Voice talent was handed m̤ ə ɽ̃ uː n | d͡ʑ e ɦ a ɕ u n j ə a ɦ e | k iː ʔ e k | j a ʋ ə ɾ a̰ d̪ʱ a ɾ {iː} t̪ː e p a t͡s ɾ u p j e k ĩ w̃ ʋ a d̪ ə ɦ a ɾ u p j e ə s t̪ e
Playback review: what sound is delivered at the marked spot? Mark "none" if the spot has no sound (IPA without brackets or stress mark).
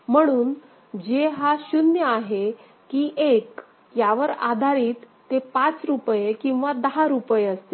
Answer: iː